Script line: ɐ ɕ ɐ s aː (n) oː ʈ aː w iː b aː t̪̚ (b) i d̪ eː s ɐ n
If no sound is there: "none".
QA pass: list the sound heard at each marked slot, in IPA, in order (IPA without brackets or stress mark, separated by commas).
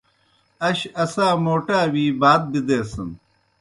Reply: m, b